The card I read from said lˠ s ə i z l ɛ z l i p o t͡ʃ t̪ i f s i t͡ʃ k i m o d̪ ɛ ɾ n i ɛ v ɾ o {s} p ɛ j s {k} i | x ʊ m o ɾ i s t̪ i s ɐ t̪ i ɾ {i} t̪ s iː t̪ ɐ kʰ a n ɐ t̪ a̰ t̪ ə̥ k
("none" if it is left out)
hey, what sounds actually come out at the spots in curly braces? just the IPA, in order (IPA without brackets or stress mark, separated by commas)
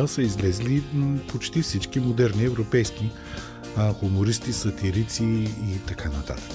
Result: none, k, i